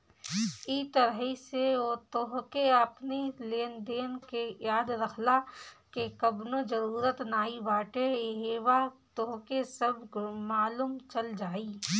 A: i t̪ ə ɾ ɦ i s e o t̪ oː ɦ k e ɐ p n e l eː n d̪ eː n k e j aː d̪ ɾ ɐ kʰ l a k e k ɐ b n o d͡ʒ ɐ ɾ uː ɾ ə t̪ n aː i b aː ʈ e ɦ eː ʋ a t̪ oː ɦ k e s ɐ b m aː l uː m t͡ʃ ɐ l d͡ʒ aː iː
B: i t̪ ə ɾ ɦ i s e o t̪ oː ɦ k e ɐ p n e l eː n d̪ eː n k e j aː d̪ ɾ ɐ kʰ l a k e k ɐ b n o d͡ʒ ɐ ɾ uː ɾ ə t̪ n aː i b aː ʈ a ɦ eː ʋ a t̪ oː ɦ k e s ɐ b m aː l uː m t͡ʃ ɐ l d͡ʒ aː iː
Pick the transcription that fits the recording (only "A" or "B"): A